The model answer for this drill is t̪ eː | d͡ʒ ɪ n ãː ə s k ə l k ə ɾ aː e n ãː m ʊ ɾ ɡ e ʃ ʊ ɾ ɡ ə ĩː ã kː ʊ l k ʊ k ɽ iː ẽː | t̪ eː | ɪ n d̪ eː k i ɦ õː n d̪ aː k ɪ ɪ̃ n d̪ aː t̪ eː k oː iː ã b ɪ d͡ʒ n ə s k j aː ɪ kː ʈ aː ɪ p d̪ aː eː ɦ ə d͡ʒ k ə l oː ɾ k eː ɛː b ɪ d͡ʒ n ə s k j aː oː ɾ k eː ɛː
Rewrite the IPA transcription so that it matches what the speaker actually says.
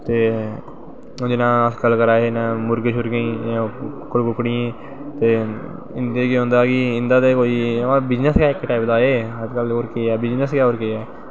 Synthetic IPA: t̪ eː | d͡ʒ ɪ n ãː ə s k ə l k ə ɾ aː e n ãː m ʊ ɾ ɡ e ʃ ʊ ɾ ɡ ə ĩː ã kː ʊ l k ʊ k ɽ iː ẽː | t̪ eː | ɪ n d̪ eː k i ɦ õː n d̪ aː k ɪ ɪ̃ n d̪ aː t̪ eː k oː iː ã b ɪ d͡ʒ n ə s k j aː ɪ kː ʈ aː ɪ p d̪ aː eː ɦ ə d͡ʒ k ə l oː ɾ k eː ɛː b ɪ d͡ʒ n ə s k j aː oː ɾ k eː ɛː